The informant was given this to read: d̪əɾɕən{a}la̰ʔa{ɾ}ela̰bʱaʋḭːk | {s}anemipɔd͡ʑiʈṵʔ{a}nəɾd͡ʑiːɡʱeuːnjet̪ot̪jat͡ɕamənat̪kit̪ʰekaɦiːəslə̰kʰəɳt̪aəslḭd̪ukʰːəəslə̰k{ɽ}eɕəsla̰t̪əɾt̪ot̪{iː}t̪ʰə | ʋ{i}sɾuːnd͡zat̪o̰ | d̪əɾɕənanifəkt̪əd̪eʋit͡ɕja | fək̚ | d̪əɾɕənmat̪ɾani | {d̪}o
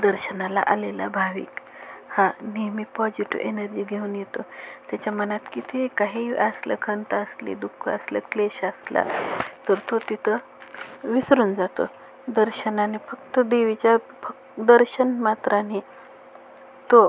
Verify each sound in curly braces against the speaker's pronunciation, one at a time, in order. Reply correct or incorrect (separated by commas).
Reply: correct, incorrect, incorrect, incorrect, incorrect, incorrect, correct, incorrect